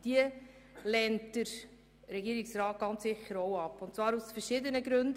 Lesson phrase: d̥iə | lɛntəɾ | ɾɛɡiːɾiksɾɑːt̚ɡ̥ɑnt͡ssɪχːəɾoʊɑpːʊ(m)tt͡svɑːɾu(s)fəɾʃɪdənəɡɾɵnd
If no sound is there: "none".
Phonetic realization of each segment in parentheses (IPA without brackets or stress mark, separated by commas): n, s